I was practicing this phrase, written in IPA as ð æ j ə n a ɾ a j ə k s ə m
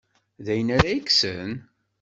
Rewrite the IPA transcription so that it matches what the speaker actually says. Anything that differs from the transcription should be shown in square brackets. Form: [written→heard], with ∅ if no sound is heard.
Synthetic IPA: ð æ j ə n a ɾ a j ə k s ə [m→n]